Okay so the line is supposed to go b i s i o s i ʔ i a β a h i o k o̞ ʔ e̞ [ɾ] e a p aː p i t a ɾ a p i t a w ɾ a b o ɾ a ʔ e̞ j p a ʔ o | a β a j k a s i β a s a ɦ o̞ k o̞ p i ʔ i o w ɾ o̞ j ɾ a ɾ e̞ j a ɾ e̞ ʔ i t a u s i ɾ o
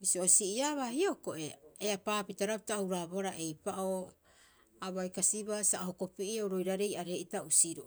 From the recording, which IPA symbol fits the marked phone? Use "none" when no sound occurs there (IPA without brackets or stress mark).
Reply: none